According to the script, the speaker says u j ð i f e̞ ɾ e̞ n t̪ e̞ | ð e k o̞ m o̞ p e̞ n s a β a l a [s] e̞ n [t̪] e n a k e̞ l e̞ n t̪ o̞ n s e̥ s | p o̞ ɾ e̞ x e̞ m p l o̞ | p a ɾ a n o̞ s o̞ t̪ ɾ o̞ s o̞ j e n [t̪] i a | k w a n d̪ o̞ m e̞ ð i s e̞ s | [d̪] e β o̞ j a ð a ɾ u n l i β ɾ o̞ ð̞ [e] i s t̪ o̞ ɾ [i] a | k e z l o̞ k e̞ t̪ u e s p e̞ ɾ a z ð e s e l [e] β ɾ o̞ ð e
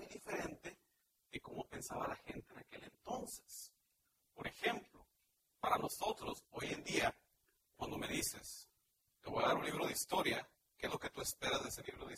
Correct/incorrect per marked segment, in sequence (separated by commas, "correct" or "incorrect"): incorrect, correct, incorrect, incorrect, correct, incorrect, incorrect